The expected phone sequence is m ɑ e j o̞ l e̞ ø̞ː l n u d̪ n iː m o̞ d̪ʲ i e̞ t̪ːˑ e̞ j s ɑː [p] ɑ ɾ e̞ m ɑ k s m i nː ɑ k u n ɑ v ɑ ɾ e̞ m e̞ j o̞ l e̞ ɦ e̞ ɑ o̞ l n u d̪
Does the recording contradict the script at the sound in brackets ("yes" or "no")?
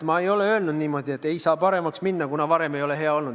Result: no